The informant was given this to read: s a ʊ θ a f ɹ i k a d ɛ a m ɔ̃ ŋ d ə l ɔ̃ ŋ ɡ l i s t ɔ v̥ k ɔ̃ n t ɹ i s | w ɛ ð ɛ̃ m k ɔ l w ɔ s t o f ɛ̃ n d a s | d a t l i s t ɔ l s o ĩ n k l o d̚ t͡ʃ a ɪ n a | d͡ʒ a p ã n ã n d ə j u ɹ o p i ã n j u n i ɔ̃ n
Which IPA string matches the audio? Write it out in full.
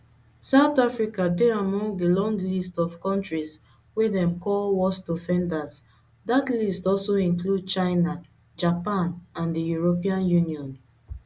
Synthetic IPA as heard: s a ʊ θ a f ɹ i k a d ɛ a m ɔ̃ ŋ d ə l ɔ̃ ŋ ɡ l i s t ɔ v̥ k ɔ̃ n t ɹ i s | w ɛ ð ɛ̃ m k ɔ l w ɔ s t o f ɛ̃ n d a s | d a t l i s t ɔ l s o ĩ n k l u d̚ t͡ʃ a ɪ n a | d͡ʒ a p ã n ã n d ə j u ɹ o p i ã n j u n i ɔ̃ n

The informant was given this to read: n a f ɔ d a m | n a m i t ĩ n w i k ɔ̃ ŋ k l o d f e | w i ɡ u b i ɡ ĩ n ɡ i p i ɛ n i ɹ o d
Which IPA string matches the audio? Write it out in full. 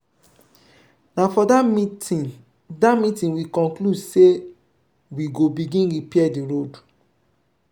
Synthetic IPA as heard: n a f ɔ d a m | d a m i t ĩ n w i k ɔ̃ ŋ k l u d s e | w i ɡ o b i ɡ ĩ n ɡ i p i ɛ d i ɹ o d

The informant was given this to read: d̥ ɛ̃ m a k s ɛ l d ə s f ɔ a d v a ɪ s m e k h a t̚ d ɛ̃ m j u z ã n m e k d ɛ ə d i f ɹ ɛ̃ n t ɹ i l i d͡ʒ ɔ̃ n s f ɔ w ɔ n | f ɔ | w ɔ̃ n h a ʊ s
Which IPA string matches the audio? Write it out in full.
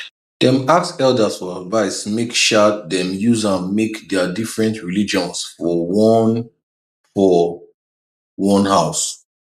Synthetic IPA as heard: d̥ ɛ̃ m a k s ɛ l d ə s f ɔ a d v a ɪ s m e k ʃ a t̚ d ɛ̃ m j u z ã n m e k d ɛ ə d i f ɹ ɛ̃ n t ɹ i l i d͡ʒ ɔ̃ n s f ɔ w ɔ n | f ɔ | w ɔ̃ n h a ʊ s

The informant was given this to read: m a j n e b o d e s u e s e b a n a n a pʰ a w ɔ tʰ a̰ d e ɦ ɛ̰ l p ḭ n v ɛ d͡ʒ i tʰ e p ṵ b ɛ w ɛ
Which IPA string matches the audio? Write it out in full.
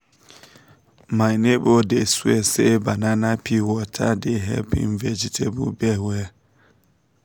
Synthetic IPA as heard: m a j n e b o d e s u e s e b a n a n a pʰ i w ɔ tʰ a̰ d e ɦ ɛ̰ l p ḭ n v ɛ d͡ʒ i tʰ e b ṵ b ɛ w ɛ

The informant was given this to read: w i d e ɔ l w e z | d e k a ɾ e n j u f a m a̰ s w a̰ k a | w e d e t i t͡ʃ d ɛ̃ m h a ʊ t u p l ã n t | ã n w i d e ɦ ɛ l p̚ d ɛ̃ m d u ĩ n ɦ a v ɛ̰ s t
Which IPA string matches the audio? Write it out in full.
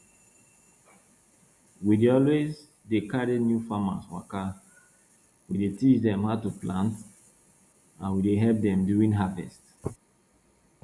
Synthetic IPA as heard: w i d e ɔ l w e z | d e k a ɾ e n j u f a m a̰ s w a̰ k a | w i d e t i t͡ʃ d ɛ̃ m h a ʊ t u p l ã n t | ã n w i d e ɦ ɛ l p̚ d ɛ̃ m d u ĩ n ɦ a v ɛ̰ s t

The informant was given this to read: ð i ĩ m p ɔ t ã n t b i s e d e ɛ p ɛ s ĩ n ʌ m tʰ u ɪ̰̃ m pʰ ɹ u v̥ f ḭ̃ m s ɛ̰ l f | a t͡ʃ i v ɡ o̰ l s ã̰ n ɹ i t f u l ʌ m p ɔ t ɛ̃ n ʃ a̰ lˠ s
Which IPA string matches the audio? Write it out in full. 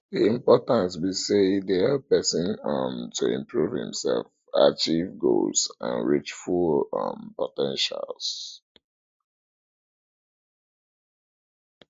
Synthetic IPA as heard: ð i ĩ m p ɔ t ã n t b i s e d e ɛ p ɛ s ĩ n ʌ m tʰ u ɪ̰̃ m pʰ ɹ u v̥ h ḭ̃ m s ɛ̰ l f | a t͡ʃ i v ɡ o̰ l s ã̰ n ɹ i t͡ʃ f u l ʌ m p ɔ t ɛ̃ n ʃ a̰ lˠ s

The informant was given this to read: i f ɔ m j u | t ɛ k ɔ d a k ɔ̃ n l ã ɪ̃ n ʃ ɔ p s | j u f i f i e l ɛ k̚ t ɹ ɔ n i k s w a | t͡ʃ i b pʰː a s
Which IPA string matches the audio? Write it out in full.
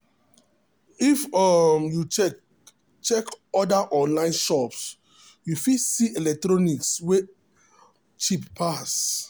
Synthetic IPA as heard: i f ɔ m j u | t͡ʃ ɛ k ɔ d a ʔ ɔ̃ n l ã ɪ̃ n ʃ ɔ p s | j u f i s i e l ɛ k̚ t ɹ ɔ n i k s w e | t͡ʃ i p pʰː a s

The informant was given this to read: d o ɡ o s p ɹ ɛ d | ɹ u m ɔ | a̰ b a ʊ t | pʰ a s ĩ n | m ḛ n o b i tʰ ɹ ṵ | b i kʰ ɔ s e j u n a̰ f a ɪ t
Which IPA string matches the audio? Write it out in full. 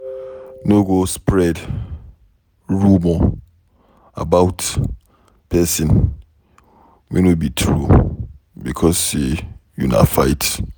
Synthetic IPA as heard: n o ɡ o s p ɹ ɛ d | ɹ u m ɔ | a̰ b a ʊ t | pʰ ɛ s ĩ n | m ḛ n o b i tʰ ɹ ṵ | b i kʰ ɔ s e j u n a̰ f a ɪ t

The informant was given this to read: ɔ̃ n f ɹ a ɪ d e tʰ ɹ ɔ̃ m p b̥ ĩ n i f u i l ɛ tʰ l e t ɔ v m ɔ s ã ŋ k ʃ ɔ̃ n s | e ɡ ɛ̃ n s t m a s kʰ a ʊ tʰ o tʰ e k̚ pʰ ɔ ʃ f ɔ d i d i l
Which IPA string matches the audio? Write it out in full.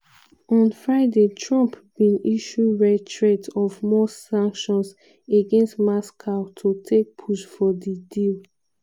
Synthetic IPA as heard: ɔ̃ n f ɹ a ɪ d e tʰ ɹ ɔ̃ m p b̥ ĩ n i ʃ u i ɹ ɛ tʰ ɹ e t ɔ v m ɔ s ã ŋ k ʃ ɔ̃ n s | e ɡ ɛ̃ n s t m a s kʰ a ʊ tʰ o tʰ e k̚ pʰ u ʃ f ɔ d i d i l

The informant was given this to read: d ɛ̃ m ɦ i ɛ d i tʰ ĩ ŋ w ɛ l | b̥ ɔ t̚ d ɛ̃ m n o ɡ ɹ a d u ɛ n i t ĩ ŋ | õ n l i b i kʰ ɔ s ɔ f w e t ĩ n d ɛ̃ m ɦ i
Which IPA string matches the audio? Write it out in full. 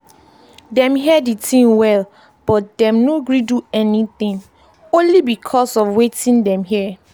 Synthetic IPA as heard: d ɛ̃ m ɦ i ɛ d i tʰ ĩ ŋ w ɛ l | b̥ ɔ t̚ d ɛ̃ m n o ɡ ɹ i d u ɛ n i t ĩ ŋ | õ n l i b i kʰ ɔ s ɔ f w e t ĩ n d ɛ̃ m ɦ i

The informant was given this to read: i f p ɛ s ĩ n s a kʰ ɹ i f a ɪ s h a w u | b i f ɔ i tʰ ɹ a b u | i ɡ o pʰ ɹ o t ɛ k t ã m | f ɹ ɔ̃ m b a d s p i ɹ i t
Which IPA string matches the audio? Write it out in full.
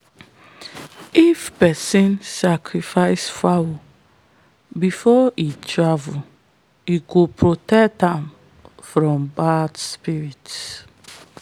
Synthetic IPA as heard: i f p ɛ s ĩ n s a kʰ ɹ i f a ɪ s f a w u | b i f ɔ i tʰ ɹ a v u | i ɡ o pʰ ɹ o t ɛ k t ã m | f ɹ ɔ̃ m b a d s p i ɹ i t

